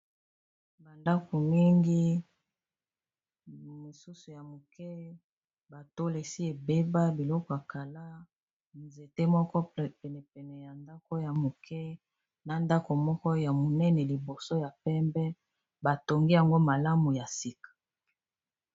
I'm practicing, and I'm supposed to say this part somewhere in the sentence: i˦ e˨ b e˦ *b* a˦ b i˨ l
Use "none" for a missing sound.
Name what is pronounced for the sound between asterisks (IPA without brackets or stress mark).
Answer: b